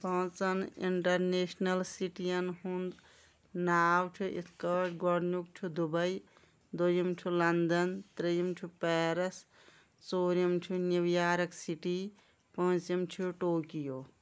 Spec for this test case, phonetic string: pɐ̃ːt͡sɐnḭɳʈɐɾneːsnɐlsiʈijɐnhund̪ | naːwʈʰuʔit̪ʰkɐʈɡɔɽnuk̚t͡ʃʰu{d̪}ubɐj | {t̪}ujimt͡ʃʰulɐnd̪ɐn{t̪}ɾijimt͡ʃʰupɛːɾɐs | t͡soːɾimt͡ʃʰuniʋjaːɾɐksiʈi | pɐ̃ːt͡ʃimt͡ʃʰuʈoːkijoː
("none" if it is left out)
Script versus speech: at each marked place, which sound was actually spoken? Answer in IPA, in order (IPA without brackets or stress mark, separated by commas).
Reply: d̪, d̪, t̪